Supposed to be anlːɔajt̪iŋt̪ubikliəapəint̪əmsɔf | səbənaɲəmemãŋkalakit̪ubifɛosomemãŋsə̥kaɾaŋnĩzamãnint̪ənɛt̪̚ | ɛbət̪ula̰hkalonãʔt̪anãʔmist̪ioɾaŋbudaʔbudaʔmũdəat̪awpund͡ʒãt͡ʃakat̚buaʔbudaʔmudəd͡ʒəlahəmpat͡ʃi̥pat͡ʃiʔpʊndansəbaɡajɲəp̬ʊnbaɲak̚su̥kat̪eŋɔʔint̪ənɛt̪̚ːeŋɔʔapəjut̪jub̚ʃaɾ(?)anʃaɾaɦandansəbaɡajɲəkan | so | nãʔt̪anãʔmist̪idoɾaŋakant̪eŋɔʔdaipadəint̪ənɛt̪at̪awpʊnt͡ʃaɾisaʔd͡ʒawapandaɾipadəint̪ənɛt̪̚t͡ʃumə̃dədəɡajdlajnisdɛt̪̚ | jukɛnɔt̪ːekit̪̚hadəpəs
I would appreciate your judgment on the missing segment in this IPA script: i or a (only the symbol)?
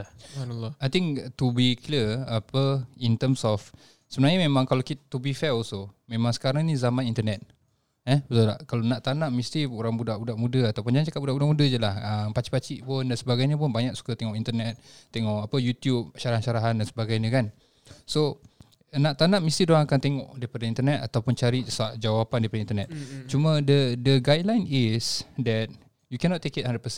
a